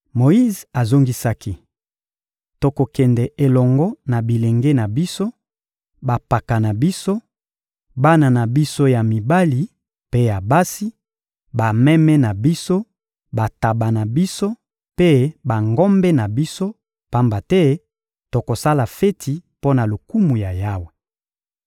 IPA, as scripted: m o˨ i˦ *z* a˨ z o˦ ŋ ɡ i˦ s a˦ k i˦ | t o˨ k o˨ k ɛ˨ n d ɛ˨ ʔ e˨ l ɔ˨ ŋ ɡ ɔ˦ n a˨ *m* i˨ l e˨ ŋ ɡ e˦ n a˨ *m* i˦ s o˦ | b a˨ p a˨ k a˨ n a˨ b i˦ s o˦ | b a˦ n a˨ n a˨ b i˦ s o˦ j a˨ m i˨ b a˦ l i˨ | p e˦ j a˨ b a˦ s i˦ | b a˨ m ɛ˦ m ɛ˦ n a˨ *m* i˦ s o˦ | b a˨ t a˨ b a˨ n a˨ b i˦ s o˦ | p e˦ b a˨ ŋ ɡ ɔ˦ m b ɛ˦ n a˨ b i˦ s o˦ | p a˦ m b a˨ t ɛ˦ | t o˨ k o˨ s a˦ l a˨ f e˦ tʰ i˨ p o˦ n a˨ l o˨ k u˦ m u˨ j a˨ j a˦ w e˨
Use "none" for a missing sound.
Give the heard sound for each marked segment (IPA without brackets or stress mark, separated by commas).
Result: z, b, b, b